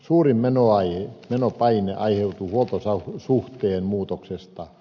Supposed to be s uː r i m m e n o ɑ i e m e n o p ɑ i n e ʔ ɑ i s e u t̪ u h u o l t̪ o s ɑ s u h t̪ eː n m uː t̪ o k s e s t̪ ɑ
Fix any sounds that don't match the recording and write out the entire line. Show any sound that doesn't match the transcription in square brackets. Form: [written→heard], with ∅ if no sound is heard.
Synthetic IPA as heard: s uː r i m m e n o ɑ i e m e n o p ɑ i n e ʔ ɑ i [s→h] e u t̪ u h u o l t̪ o s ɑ s u h t̪ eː n m uː t̪ o k s e s t̪ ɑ